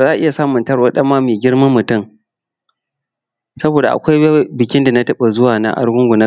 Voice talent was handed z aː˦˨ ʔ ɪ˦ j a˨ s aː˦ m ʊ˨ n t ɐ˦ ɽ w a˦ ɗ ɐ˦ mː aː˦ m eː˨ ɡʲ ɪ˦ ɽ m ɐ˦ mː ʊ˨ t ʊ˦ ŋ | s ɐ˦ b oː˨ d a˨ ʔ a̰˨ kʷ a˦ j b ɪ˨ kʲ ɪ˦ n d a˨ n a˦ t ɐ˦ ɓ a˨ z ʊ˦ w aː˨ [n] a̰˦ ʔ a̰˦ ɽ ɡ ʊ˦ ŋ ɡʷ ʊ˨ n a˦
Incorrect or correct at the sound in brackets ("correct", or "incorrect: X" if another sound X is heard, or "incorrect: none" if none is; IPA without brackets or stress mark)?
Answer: correct